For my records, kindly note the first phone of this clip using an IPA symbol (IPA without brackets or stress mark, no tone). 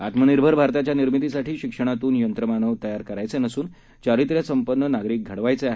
a